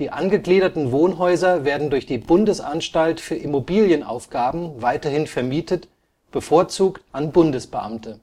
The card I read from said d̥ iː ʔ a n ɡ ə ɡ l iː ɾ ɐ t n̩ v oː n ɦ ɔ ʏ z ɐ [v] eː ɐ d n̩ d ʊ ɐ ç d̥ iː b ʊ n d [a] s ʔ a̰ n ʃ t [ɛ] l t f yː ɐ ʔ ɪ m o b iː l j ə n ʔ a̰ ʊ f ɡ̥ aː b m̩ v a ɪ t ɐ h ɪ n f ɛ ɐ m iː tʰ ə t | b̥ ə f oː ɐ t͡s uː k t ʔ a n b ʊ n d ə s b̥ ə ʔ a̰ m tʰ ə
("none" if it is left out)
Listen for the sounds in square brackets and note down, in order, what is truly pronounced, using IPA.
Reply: v, ə, a

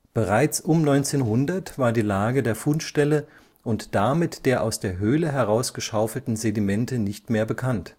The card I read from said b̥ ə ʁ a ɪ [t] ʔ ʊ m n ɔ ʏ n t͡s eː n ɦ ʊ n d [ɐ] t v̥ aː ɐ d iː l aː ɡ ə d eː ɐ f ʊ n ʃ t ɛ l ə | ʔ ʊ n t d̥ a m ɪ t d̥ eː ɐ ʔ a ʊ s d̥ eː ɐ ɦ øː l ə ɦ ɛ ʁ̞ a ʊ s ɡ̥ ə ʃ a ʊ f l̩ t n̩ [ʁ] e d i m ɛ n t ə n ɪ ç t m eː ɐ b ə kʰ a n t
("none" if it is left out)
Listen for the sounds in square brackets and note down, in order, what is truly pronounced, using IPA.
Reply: t͡s, ɐ, z

